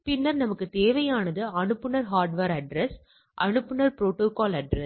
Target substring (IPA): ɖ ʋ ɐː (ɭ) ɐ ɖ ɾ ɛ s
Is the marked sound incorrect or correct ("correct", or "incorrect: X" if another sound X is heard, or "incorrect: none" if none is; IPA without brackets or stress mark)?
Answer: incorrect: ɾ